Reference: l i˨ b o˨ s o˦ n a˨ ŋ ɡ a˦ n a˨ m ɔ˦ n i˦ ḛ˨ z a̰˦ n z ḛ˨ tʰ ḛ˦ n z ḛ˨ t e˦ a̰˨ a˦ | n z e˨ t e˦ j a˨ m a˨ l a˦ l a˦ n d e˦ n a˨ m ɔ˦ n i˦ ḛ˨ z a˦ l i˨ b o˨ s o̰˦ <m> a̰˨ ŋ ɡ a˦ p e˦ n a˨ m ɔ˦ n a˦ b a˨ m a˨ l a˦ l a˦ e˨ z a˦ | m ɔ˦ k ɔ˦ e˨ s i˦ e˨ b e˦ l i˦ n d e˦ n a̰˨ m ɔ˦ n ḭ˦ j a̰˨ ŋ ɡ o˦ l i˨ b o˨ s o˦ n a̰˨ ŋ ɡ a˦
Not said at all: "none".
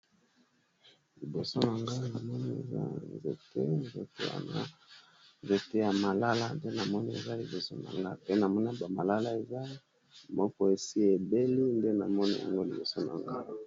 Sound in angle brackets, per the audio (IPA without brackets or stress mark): n